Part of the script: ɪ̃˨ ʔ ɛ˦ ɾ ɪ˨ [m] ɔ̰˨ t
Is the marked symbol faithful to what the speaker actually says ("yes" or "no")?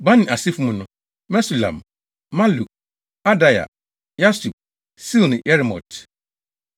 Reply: yes